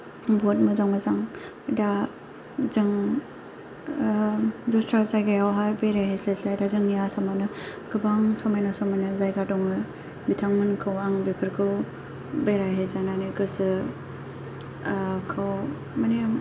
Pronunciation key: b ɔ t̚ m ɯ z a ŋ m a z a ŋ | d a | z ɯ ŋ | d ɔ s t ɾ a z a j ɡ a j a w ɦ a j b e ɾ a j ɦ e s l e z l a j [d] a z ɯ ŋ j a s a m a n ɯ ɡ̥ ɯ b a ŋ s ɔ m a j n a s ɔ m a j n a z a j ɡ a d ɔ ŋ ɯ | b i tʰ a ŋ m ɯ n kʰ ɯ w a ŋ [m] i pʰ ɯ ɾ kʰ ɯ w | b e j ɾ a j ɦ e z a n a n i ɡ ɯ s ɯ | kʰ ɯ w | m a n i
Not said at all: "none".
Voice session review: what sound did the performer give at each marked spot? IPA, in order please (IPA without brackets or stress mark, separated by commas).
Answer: d, b